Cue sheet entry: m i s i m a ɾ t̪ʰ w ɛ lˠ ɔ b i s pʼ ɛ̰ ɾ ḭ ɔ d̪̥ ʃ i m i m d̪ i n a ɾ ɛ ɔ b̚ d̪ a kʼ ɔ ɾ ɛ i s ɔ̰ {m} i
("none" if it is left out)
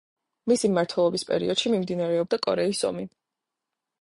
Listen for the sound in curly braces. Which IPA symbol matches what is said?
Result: m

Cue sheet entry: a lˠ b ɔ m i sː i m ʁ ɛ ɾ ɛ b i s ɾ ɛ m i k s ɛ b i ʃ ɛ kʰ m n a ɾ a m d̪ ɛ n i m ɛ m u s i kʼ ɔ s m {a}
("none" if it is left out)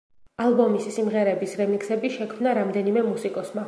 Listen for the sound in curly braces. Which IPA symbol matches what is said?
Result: a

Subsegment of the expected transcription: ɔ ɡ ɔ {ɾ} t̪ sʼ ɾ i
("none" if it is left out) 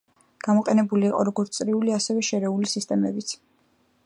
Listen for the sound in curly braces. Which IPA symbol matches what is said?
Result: ɾ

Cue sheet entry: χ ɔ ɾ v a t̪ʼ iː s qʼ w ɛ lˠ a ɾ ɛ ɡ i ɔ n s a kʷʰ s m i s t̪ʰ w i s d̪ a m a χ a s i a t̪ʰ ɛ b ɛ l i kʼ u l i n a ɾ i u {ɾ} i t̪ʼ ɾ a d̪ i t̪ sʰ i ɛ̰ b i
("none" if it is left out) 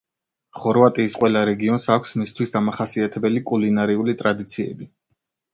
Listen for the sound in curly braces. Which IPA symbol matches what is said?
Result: l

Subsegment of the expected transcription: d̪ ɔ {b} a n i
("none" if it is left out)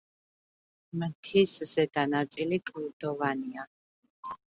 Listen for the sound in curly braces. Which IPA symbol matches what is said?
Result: v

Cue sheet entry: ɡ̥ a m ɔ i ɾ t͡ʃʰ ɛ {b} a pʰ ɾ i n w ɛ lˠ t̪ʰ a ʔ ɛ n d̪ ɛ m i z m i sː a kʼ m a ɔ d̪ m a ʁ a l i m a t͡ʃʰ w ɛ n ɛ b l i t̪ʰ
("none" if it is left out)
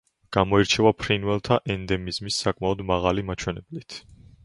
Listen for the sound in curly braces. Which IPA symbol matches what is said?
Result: v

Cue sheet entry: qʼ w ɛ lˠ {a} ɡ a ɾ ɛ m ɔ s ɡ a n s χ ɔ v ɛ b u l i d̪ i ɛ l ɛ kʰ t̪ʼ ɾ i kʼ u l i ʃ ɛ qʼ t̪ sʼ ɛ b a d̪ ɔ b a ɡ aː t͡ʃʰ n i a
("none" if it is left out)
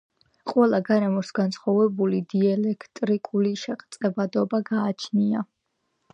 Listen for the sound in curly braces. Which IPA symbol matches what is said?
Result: a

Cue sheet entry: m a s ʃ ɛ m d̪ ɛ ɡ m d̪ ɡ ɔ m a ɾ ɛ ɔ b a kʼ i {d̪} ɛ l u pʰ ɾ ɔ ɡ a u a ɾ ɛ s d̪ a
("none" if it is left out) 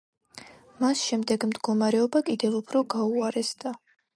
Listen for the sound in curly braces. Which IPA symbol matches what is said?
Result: d̪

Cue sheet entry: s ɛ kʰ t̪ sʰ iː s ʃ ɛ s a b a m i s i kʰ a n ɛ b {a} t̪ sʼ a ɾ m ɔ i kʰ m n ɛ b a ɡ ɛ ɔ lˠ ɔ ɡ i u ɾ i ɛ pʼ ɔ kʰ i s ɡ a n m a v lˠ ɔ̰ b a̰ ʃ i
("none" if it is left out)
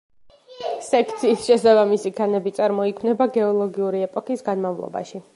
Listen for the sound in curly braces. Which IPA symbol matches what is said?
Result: i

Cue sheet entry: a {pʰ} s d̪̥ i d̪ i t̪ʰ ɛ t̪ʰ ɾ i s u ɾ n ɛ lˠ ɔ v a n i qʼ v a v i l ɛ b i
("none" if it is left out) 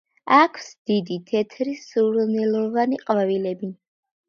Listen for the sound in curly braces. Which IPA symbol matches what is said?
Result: kʰ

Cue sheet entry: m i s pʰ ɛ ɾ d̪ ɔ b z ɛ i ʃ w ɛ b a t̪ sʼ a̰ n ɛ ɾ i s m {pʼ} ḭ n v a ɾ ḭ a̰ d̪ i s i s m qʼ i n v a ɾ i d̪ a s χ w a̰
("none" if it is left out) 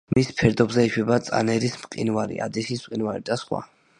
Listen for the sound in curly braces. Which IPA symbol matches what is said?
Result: qʼ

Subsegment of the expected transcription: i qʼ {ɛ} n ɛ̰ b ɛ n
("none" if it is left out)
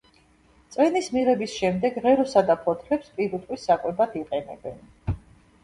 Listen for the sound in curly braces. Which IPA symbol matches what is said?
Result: ɛ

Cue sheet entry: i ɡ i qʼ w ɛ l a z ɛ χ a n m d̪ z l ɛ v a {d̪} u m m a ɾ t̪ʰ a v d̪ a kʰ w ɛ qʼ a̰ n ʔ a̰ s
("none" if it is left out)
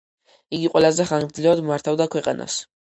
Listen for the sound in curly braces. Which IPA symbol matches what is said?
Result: d̪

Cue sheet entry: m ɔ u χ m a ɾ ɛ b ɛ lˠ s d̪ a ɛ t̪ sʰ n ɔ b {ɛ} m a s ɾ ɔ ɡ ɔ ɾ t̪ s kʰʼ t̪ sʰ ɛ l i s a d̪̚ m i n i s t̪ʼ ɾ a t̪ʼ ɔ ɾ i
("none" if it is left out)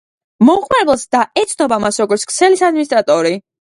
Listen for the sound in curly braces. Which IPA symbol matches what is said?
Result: a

